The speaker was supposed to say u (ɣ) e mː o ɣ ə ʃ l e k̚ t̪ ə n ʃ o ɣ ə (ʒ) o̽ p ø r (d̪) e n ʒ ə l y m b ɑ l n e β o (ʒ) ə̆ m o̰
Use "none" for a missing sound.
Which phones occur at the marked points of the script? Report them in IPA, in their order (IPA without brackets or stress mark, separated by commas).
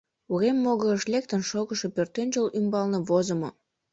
ɣ, ʃ, t̪, z